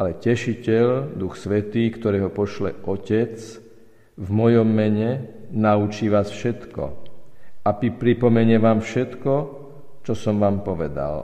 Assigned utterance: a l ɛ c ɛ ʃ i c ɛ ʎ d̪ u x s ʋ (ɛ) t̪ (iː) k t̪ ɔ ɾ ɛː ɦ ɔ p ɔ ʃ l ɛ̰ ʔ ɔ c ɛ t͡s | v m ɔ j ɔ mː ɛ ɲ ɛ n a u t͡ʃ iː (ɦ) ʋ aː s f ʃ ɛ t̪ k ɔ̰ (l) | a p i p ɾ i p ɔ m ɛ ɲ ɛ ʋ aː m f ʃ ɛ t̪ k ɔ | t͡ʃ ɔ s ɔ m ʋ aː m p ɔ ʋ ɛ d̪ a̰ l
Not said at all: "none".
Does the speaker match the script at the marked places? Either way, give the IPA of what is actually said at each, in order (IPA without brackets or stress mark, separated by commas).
ɛ, iː, none, none